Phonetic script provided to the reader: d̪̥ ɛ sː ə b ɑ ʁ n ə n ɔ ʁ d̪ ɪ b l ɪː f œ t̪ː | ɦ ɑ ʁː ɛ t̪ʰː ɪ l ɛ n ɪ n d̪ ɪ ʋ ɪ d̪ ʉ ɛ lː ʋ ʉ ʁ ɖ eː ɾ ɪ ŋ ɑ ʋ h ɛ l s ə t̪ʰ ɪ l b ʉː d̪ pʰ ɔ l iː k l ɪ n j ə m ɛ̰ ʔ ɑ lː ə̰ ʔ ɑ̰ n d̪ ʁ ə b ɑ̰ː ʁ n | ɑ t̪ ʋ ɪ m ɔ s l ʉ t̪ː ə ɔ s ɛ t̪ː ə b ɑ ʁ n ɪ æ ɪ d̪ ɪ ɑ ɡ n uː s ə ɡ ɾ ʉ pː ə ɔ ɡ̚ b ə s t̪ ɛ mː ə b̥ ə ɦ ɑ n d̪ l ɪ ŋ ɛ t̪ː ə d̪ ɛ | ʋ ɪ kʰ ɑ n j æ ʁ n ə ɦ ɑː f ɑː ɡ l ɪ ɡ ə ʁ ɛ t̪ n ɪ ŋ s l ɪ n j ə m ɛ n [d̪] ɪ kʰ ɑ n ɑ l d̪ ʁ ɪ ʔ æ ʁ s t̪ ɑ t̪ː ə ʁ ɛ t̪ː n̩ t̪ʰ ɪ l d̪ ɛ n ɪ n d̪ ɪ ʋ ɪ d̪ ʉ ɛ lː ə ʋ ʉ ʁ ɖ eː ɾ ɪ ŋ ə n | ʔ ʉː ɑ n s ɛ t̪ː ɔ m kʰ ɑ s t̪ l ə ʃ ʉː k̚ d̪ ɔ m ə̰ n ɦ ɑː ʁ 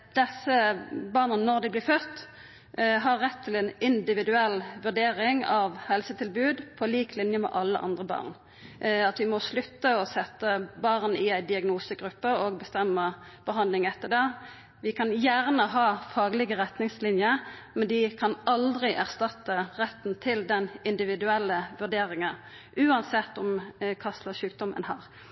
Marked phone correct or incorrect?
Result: correct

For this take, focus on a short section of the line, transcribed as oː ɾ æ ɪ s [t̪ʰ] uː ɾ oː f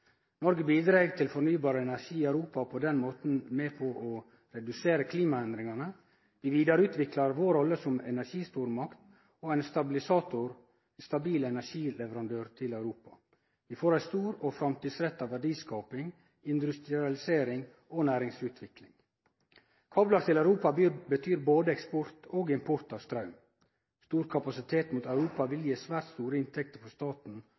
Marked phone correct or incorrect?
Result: incorrect: t̪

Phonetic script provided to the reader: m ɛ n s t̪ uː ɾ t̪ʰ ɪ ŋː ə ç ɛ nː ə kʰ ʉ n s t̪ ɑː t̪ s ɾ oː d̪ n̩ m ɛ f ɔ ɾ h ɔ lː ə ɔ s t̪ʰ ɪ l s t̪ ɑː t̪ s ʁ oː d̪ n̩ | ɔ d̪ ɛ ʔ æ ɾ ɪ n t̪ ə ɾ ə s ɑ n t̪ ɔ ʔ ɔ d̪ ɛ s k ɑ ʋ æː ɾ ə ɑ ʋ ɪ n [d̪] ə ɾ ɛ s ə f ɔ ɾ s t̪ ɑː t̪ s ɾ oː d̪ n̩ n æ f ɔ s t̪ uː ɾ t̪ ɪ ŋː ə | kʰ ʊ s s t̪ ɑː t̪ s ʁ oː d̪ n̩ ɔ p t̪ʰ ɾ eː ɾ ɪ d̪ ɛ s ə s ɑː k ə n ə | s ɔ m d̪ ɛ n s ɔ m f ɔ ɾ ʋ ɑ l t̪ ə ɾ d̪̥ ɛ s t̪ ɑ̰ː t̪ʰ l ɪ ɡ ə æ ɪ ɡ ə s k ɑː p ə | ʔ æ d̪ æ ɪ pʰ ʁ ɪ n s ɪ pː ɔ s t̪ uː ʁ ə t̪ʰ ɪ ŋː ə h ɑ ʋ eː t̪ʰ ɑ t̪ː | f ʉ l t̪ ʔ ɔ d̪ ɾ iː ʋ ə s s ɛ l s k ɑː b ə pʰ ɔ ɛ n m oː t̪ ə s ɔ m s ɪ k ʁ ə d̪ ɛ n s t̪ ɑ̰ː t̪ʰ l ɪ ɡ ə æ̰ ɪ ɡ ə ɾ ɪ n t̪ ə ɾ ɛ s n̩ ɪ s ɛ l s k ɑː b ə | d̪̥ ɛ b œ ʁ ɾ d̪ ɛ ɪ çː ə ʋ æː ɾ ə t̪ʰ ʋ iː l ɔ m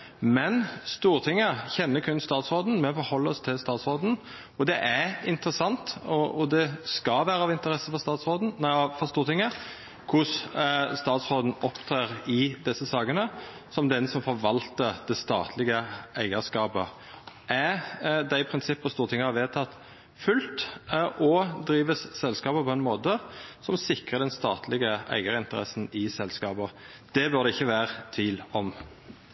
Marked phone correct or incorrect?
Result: incorrect: t̪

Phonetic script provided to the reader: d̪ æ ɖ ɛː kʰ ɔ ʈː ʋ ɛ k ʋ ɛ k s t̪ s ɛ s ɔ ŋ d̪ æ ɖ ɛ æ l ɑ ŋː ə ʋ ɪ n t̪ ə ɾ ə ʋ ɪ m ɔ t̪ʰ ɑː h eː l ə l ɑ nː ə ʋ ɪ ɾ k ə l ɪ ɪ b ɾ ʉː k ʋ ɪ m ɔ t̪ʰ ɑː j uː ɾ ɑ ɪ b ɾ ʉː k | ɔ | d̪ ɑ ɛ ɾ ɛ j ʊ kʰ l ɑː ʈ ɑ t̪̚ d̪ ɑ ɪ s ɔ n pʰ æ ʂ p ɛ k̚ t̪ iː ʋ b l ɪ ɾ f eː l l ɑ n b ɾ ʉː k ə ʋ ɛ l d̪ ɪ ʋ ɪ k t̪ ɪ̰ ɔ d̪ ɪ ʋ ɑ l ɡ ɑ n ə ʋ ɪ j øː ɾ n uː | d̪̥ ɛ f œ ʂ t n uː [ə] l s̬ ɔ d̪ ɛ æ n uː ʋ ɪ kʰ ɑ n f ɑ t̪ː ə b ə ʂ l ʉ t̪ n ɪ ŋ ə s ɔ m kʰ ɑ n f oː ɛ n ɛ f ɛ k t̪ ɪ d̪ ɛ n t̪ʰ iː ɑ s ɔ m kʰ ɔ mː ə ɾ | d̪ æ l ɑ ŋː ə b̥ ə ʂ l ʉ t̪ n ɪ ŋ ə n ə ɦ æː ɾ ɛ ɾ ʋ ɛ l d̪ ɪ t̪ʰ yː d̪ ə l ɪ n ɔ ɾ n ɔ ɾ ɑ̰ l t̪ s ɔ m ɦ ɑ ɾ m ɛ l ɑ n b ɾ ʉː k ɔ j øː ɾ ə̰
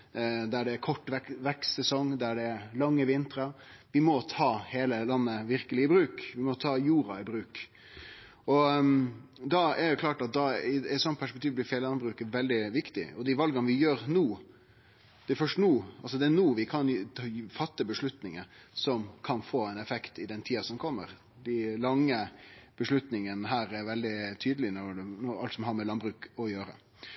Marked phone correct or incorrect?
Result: incorrect: ɑ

